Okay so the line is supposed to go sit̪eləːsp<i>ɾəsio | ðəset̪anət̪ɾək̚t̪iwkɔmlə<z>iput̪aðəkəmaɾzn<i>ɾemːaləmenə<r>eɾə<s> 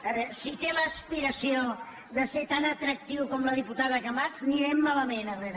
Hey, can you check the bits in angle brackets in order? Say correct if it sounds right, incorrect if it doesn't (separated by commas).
correct, incorrect, correct, correct, incorrect